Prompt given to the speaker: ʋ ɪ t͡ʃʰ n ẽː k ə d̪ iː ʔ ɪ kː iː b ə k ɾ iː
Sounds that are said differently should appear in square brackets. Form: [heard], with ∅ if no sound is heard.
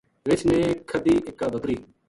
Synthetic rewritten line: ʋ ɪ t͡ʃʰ n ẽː [kʰ] ə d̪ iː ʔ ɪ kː [aː] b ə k ɾ iː